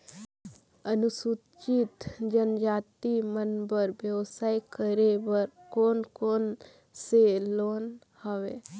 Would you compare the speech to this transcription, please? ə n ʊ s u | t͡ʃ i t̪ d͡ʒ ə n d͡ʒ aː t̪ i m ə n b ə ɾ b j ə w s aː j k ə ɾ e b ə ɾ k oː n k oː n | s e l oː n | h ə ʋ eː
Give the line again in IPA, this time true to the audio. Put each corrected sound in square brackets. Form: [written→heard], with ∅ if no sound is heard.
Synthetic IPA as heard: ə n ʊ s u | t͡ʃ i t̪ d͡ʒ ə n d͡ʒ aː t̪ i m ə n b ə ɾ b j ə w s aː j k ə ɾ e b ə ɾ k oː n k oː n | s e l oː n | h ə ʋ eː